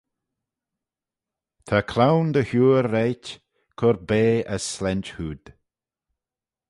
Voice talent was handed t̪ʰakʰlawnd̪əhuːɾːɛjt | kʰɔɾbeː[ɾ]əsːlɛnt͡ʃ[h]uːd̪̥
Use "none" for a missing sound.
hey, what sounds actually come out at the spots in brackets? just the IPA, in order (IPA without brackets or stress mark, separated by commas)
none, h